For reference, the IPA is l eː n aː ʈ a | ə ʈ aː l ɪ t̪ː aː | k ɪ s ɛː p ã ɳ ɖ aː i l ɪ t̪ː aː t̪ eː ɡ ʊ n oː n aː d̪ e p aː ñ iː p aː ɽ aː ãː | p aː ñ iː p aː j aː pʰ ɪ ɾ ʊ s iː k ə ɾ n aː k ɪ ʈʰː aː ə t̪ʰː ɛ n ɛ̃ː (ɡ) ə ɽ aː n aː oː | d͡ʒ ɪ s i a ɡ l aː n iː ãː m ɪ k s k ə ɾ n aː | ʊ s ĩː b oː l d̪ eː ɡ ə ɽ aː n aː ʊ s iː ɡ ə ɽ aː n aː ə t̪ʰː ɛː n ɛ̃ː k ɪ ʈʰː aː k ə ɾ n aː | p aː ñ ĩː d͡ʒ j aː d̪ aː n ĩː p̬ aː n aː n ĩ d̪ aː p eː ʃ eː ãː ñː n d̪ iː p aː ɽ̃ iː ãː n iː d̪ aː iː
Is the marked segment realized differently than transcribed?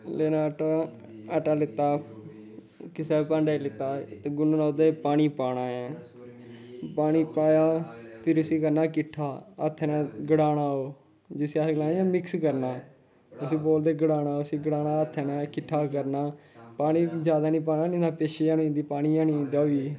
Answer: no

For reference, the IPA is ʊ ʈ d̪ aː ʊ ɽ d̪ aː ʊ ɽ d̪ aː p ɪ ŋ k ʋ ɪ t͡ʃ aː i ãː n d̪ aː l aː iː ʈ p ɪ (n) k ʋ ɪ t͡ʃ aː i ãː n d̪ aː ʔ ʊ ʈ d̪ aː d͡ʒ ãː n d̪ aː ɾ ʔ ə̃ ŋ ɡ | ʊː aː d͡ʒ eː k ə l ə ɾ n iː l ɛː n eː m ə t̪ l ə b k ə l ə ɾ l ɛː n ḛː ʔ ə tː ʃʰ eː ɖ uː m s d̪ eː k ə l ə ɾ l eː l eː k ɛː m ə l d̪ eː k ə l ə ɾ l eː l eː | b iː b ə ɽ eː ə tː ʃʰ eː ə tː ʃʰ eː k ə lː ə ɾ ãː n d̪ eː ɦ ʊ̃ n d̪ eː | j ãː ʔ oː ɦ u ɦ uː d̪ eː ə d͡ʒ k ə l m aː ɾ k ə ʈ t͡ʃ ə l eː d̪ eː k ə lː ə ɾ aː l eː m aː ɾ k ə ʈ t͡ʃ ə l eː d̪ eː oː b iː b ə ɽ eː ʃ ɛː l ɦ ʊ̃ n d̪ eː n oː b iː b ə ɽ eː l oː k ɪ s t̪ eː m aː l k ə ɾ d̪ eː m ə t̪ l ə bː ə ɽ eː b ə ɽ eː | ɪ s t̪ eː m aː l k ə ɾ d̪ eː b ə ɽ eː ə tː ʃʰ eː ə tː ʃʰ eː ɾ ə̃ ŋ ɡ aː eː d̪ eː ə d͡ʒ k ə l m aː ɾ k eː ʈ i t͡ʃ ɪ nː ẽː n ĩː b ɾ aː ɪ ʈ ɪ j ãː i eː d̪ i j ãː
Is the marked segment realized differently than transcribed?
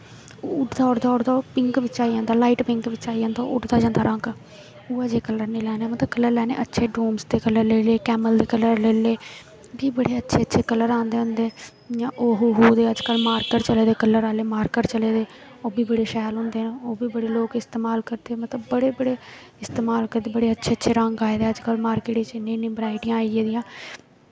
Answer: yes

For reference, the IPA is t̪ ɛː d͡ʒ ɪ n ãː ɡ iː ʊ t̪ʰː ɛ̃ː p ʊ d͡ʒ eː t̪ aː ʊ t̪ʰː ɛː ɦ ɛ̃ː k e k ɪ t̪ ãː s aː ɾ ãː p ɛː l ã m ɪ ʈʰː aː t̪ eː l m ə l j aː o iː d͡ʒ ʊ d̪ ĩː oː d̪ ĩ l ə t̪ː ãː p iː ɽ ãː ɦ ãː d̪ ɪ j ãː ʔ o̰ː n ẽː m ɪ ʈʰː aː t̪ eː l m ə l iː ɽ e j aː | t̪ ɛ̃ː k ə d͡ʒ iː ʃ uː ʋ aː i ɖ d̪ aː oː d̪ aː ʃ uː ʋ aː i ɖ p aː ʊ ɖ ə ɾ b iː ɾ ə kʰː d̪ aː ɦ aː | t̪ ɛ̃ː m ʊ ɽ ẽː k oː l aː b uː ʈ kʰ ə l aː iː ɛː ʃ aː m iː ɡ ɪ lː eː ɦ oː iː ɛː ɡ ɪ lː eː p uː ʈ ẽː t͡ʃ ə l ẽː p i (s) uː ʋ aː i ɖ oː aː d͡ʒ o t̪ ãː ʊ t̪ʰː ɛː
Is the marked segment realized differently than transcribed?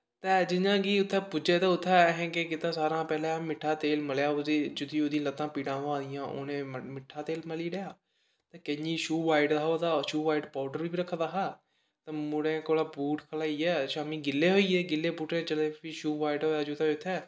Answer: yes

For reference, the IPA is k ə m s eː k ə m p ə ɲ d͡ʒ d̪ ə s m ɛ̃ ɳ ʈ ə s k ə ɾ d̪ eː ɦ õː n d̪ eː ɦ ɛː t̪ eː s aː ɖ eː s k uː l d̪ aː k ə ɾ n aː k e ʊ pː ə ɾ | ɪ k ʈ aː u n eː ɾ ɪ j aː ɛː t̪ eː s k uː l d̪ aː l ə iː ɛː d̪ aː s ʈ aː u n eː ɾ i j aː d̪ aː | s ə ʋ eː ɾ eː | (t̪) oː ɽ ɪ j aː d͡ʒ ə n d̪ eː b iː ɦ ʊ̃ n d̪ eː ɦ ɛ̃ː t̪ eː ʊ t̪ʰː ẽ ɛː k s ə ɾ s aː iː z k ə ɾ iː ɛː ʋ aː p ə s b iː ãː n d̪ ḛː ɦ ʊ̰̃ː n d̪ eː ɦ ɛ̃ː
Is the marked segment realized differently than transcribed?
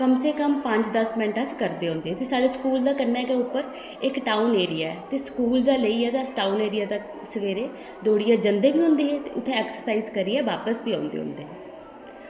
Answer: yes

